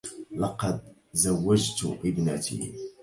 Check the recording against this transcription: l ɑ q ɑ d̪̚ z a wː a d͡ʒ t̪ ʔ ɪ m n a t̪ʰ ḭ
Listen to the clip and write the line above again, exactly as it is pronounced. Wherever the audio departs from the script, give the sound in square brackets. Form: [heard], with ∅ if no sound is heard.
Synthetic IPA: l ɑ q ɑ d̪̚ z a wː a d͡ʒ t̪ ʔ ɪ [b] n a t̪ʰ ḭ